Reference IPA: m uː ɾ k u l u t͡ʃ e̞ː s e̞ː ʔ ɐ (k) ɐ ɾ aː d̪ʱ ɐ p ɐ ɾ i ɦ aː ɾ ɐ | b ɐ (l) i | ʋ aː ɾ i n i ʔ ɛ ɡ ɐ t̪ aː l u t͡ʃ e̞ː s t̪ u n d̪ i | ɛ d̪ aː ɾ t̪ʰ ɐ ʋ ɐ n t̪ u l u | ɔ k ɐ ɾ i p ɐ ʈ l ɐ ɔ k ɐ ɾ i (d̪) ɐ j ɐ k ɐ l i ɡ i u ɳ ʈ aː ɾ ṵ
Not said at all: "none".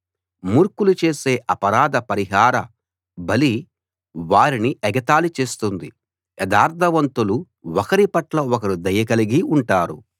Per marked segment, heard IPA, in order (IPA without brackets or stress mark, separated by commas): p, l, d̪